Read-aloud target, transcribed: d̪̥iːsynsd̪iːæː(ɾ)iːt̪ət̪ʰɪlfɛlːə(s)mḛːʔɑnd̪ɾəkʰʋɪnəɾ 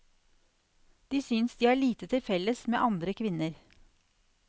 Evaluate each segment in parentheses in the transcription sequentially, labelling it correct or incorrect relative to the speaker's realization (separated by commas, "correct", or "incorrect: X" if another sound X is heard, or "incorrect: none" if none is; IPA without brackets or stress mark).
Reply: incorrect: ɭ, correct